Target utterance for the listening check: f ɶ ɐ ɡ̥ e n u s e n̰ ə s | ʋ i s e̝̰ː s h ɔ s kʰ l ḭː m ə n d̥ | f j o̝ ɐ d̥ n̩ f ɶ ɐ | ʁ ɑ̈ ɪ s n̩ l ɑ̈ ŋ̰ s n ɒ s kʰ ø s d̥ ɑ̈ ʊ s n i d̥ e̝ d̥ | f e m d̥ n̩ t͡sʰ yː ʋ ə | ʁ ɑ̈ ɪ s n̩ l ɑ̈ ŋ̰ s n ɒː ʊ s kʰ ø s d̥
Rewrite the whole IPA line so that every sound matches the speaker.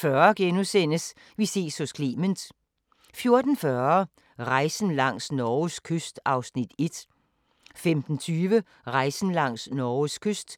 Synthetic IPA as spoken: f ɶ ɐ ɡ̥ e n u s e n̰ ə s | ʋ i s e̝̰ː s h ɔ s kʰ l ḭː m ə n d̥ | f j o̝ ɐ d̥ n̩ f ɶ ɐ | ʁ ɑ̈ ɪ s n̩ l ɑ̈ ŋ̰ s n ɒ s kʰ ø s d̥ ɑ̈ ʊ s n i d̥ e̝ d̥ | f e m d̥ n̩ t͡sʰ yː ʋ ə | ʁ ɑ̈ ɪ s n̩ l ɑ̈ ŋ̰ s n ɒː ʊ s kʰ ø s d̥